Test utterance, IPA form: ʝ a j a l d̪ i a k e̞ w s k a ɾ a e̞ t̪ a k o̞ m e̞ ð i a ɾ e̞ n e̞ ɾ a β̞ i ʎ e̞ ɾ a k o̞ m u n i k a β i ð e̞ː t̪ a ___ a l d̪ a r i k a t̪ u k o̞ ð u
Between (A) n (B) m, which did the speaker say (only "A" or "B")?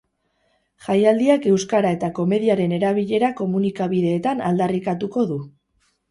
A